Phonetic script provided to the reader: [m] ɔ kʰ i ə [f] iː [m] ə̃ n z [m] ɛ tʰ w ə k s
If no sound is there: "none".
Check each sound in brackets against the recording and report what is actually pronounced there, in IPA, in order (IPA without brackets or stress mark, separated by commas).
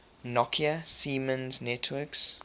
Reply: n, s, m, n